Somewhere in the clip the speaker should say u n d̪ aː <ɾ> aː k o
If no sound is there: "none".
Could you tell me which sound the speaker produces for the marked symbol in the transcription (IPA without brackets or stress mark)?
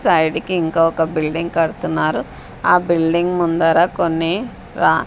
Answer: ɾ